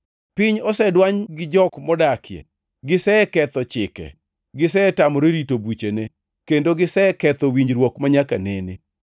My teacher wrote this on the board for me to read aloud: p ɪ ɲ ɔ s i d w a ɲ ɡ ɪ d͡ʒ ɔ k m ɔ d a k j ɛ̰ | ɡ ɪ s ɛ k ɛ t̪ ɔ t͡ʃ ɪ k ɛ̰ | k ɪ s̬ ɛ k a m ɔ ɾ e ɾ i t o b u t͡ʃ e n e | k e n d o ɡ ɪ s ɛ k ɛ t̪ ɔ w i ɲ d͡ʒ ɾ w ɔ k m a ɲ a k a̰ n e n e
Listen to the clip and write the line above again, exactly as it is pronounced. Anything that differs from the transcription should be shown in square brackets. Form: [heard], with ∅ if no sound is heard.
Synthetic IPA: p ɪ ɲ ɔ s [ɛ] d w a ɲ ɡ ɪ d͡ʒ ɔ k m ɔ d a k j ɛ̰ | ɡ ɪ s ɛ k ɛ t̪ ɔ t͡ʃ ɪ k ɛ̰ | [ɡ] ɪ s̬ ɛ [t] a m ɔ ɾ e ɾ i t o b u t͡ʃ e n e | k e n d o ɡ ɪ s ɛ k ɛ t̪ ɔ w i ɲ d͡ʒ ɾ w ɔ k m a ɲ a k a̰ n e n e